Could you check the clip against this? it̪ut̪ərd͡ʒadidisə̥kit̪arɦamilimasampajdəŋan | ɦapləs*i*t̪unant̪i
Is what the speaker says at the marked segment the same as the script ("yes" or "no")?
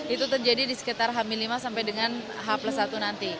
no